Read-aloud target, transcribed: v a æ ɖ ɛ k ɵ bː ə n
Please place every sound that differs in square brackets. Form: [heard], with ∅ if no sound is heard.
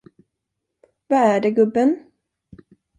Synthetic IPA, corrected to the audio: v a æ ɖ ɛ [ɡ] ɵ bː ə n